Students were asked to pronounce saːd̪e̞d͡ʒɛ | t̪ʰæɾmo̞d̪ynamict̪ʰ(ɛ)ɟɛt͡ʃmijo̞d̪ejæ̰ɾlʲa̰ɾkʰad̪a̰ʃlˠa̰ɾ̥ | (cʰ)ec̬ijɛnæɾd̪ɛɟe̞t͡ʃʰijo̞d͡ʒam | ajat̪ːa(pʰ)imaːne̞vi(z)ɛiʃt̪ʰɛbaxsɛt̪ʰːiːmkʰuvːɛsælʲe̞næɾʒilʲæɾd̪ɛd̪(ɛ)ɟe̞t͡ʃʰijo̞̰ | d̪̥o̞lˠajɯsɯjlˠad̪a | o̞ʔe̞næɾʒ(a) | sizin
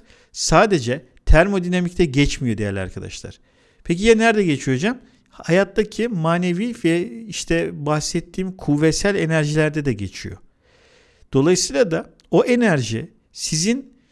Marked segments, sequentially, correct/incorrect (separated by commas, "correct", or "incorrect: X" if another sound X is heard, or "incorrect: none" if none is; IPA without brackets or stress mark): correct, incorrect: pʰ, incorrect: cʰ, incorrect: v, correct, incorrect: i